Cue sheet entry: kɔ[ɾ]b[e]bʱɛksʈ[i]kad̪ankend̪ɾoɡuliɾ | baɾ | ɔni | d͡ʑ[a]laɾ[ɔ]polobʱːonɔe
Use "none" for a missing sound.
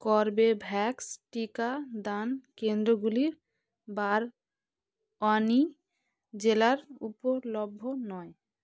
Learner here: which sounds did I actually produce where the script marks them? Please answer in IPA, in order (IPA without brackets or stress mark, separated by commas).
ɾ, e, i, e, u